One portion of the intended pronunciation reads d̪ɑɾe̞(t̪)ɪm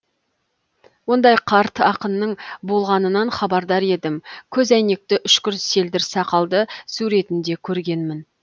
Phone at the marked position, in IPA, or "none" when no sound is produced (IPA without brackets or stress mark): d̪